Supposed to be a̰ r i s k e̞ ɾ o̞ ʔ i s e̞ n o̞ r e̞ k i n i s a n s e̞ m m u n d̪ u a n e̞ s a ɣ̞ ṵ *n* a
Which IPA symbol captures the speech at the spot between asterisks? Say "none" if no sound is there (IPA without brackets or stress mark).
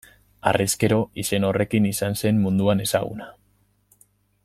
n